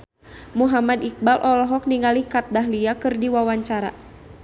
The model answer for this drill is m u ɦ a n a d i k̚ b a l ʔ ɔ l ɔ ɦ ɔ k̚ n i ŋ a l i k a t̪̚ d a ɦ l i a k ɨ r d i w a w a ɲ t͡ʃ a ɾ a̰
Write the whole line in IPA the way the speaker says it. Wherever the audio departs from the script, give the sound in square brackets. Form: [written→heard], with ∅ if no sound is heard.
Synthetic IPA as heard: m u ɦ a [n→m] a d i k̚ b a l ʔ ɔ l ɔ ɦ ɔ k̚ n i ŋ a l i k a t̪̚ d a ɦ l i a k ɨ r d i w a w a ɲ t͡ʃ a ɾ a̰